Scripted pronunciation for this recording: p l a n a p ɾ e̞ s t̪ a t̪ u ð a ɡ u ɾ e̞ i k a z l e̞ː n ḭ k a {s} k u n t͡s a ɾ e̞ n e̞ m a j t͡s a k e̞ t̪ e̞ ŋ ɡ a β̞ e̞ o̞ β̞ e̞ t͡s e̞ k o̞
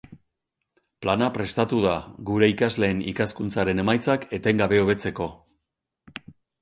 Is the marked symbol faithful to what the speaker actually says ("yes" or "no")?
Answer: yes